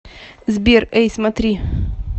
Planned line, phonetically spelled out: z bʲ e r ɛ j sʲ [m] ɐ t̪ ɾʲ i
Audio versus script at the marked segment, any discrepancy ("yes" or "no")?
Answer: no